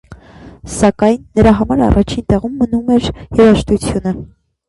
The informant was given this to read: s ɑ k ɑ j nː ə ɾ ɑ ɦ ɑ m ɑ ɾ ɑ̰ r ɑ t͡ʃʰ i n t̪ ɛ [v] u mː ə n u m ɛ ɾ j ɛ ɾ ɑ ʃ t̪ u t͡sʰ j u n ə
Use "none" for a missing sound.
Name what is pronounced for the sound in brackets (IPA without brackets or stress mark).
ʁ